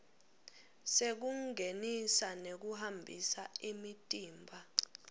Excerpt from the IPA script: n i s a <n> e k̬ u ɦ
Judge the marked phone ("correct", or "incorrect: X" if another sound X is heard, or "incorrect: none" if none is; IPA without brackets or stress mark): correct